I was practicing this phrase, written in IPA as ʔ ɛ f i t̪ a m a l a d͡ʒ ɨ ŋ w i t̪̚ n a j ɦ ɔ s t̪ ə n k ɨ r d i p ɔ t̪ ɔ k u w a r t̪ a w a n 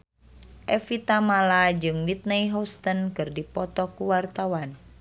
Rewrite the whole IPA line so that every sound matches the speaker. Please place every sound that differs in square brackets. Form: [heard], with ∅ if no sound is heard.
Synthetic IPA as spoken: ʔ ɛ f i t̪ a m a l a d͡ʒ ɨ ŋ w i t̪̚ n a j ɦ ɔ s t̪ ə n k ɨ r d i p ɔ t̪ ɔ k u w a r t̪ a w a n